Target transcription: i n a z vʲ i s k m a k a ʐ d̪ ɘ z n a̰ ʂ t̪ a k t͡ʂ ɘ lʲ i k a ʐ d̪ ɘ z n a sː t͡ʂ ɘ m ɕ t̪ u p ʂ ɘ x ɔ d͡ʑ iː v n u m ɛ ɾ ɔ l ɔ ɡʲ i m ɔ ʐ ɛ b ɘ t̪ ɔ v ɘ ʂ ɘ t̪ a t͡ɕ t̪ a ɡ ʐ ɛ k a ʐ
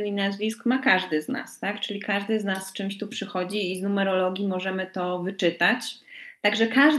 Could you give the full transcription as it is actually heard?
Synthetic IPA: i n a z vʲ i s k m a k a ʐ d̪ ɘ z n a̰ s t̪ a k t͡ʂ ɘ lʲ i k a ʐ d̪ ɘ z n a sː t͡ʂ ɘ m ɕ t̪ u p ʂ ɘ x ɔ d͡ʑ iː z n u m ɛ ɾ ɔ l ɔ ɡʲ i m ɔ ʐ ɛ m ɘ t̪ ɔ v ɘ t͡ʂ ɘ t̪ a t͡ɕ t̪ a ɡ ʐ ɛ k a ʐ